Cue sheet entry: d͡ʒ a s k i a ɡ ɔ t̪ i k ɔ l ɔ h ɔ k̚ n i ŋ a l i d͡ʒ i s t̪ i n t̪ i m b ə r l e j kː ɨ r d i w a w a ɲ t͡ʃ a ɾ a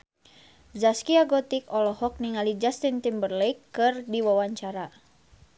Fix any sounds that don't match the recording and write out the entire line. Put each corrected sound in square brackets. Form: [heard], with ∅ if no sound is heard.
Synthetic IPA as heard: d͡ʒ a s k i a ɡ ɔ t̪ i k ɔ l ɔ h ɔ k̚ n i ŋ a l i d͡ʒ [a] s t̪ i n t̪ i m b ə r l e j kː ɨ r d i w a w a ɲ t͡ʃ a ɾ a